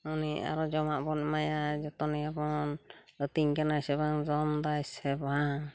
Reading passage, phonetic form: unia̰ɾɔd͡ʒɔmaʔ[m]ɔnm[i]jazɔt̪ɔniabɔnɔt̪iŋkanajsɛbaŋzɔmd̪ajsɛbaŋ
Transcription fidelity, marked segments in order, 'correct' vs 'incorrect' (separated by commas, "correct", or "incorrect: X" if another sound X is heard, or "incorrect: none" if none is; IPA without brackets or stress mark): incorrect: b, incorrect: a